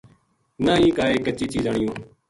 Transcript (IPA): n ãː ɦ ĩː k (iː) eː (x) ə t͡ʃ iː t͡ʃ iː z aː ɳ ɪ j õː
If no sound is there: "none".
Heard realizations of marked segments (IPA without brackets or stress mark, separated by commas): aː, k